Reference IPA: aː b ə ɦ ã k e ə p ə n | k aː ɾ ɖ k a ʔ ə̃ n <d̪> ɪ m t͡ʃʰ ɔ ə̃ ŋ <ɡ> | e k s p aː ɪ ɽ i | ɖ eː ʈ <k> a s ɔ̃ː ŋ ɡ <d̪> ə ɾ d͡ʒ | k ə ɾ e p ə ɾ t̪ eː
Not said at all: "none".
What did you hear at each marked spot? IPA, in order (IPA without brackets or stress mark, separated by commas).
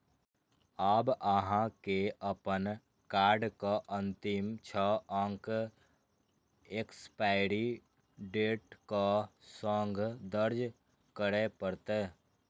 t̪, k, k, d̪